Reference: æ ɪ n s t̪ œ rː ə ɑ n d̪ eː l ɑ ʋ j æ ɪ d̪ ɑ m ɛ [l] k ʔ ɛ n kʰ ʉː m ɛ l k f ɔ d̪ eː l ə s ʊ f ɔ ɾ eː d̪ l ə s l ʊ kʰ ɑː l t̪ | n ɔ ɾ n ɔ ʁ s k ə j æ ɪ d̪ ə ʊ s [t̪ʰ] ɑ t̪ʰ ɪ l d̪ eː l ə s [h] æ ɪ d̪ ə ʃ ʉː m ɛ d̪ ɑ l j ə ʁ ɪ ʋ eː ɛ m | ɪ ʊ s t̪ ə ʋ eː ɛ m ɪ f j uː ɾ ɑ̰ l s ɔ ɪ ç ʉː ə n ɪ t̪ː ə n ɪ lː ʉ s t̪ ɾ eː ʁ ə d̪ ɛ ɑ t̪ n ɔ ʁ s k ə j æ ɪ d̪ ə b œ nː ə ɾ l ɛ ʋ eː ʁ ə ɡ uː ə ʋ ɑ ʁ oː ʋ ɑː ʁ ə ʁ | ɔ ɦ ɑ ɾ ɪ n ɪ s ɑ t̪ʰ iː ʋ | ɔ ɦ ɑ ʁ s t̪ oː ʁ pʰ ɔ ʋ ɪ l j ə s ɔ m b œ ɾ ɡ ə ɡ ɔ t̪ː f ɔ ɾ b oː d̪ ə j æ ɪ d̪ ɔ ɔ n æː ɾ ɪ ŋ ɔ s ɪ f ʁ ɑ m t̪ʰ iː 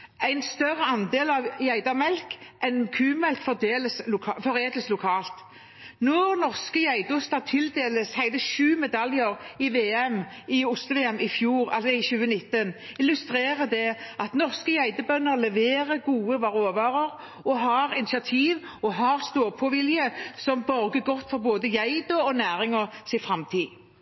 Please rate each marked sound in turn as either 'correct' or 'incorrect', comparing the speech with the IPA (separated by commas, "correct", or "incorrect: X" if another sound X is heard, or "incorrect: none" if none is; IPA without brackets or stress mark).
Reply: correct, incorrect: t̪, correct